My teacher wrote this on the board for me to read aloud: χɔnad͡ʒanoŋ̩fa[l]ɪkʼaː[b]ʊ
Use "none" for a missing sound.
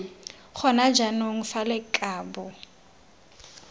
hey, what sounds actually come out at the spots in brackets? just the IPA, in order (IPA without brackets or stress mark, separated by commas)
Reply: l, b